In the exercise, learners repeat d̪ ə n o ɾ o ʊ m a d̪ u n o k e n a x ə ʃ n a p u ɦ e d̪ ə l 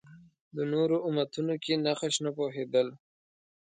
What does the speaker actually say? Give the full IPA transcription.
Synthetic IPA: d̪ ə n o ɾ o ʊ m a t̪ u n o k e n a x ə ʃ n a p o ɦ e d̪ ə l